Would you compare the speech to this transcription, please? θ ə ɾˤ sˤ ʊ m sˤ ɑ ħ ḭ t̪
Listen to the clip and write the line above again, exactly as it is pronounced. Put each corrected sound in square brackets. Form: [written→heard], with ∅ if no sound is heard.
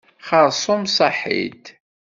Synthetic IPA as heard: [θ→χ] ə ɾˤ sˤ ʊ m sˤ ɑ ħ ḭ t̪